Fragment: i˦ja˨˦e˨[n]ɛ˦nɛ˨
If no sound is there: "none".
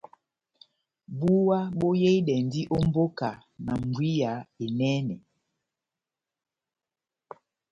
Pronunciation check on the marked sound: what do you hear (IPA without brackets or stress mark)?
n